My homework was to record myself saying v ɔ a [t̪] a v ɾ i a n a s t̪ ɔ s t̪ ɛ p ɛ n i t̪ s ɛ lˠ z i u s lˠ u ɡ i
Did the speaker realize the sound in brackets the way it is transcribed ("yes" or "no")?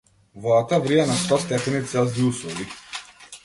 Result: yes